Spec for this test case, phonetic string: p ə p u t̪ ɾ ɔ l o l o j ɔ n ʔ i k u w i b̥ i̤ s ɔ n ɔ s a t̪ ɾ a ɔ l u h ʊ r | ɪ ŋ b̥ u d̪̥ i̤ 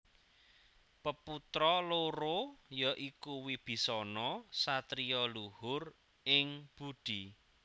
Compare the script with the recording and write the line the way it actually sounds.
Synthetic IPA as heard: p ə p u t̪ ɾ ɔ l o ɾ o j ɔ ʔ i k u w i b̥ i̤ s ɔ n ɔ s a t̪ ɾ i ɔ l u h ʊ r | ɪ ŋ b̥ u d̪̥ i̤